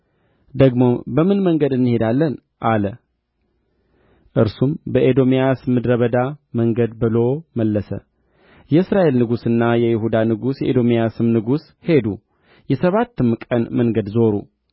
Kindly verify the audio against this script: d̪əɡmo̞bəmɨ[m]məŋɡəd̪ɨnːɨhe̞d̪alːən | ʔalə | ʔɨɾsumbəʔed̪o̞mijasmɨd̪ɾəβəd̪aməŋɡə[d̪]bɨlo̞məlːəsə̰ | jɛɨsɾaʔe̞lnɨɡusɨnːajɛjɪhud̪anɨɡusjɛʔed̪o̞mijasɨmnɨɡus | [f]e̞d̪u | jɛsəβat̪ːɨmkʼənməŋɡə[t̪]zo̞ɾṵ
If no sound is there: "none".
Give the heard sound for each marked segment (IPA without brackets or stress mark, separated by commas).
n, d̪, h, d̪